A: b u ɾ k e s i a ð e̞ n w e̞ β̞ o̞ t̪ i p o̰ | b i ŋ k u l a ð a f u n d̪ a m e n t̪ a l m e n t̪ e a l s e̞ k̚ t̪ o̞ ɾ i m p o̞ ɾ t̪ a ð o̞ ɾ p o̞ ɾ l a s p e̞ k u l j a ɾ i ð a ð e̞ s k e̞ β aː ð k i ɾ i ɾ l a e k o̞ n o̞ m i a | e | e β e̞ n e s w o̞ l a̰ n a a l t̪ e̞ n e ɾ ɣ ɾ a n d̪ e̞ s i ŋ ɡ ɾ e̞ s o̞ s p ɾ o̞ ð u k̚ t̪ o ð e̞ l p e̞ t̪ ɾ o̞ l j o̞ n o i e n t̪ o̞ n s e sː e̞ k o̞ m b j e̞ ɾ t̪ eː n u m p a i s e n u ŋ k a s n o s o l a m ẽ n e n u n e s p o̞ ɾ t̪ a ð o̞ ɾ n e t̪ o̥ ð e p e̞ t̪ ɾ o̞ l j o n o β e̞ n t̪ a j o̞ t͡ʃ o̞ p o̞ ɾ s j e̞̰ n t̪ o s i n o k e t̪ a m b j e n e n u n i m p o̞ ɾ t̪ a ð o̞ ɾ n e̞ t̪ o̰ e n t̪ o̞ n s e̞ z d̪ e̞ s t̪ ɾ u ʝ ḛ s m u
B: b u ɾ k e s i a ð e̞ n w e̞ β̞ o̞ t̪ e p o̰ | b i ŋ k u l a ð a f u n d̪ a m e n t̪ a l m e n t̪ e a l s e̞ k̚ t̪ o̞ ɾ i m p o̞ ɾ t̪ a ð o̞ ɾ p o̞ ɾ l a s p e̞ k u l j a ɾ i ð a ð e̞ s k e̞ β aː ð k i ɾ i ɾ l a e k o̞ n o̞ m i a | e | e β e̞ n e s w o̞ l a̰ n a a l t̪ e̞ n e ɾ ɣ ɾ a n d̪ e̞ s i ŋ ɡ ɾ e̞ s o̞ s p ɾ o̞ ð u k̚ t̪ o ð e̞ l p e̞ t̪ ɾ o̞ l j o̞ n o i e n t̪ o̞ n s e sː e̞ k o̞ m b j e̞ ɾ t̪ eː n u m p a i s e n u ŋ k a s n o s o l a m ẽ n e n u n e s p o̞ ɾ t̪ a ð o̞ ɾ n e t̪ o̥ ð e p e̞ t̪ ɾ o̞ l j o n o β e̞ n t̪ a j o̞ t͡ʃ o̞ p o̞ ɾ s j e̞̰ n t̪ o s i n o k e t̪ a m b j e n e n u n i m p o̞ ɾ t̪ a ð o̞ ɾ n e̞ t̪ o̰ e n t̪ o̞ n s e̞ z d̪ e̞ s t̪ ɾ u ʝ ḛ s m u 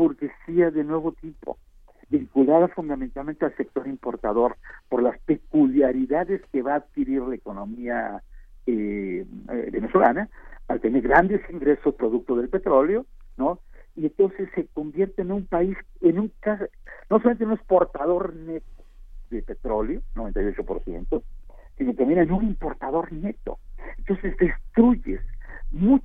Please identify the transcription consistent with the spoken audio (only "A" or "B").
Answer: A